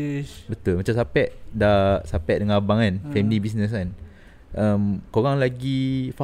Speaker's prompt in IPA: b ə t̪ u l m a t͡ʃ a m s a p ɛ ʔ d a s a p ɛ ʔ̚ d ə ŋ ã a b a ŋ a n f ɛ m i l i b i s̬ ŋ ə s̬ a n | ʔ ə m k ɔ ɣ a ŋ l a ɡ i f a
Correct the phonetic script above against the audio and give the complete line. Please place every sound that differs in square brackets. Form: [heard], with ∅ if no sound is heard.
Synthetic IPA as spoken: b ə t̪ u l m a t͡ʃ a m s a p ɛ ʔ d a s a p ɛ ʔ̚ d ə ŋ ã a b a ŋ a n f ɛ m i l i b i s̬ [n] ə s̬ a n | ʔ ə m k [o] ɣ a ŋ l a ɡ i f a